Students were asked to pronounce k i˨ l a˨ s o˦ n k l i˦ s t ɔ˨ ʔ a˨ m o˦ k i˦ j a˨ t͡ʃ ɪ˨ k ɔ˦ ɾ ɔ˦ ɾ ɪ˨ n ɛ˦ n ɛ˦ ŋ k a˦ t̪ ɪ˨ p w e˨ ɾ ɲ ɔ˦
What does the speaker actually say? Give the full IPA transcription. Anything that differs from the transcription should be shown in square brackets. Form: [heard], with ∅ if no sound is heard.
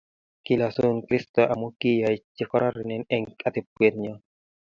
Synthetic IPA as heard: k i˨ l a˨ s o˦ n k [ɾ] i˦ s t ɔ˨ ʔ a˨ m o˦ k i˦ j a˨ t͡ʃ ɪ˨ k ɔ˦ ɾ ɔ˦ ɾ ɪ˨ n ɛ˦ n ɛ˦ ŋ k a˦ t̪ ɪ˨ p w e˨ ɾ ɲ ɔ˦